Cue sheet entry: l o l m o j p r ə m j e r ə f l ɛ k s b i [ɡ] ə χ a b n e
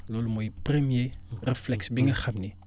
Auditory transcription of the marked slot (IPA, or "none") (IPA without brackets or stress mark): ŋ